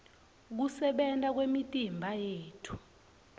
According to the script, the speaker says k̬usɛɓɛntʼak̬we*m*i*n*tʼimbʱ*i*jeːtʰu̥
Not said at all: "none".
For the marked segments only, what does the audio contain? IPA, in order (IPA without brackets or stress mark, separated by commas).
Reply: m, none, a